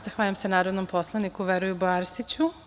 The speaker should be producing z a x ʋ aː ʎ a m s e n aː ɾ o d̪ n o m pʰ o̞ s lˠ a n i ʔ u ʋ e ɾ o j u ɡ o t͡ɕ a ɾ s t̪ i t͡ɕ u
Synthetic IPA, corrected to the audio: z a x ʋ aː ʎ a m s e n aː ɾ o d̪ n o m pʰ o̞ s lˠ a n i k u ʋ e ɾ u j u b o a ɾ s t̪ i t͡ɕ u